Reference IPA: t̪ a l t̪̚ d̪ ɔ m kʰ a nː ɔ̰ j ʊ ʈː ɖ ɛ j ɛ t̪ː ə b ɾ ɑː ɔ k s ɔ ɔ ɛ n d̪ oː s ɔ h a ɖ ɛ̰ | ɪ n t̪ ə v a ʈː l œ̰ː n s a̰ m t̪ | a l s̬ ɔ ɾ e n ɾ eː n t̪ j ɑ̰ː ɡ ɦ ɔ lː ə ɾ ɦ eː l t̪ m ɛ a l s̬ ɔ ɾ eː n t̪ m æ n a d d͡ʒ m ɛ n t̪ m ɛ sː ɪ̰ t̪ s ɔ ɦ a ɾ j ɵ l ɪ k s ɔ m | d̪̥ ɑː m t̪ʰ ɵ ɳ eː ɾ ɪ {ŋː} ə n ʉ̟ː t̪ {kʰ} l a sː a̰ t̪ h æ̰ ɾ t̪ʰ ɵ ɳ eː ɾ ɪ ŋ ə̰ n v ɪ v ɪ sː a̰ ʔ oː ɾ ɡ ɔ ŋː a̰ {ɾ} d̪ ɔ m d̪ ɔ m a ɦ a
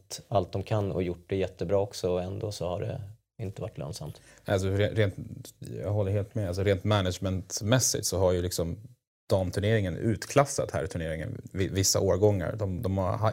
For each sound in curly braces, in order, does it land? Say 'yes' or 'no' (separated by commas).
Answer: no, yes, yes